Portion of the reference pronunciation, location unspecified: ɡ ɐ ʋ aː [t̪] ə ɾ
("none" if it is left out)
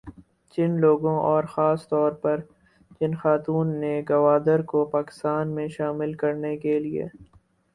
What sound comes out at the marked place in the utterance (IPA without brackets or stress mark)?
d̪